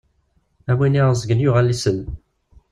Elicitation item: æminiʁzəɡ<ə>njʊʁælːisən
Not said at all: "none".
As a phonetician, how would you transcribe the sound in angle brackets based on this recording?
ə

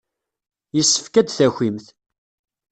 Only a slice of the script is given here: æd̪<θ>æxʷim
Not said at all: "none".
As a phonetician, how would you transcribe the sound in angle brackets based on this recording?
θ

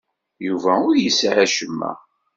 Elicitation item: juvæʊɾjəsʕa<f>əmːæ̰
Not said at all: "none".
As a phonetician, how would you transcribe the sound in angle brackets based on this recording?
ʃ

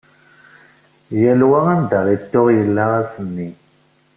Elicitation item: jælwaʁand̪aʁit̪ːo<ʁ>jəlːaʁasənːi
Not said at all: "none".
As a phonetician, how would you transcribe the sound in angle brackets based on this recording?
ʁ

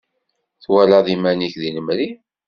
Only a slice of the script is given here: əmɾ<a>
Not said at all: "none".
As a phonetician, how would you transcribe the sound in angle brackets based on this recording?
i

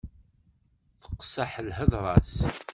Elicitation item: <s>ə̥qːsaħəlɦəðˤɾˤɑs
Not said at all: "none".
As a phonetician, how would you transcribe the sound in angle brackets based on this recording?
θ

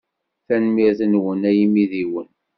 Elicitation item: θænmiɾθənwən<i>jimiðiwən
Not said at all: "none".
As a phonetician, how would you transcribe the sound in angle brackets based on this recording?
æ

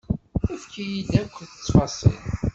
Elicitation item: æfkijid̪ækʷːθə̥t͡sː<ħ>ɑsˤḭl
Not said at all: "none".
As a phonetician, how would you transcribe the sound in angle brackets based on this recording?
f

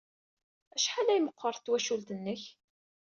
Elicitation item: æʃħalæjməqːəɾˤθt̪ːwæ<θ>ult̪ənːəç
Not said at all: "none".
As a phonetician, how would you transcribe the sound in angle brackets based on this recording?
ʃ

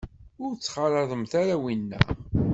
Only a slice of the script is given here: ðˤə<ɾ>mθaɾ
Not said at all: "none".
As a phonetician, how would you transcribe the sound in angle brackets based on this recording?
none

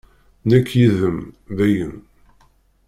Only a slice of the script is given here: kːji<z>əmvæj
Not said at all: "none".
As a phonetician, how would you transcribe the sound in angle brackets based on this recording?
ð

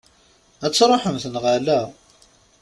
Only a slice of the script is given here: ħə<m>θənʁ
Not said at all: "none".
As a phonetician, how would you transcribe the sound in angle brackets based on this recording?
m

